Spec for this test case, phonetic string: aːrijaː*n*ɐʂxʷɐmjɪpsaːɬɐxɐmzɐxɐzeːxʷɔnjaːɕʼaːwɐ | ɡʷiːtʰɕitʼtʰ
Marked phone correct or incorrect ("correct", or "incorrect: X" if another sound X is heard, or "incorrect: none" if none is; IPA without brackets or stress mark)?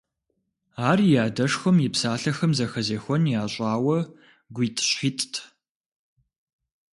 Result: incorrect: d